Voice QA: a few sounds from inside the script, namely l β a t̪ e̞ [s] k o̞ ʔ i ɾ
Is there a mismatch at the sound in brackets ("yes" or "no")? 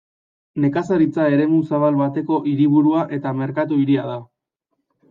yes